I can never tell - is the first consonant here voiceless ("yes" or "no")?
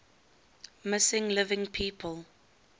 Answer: no